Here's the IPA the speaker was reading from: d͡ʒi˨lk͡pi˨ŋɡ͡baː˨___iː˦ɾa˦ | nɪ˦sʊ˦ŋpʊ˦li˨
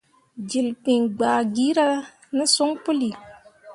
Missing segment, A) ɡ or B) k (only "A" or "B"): A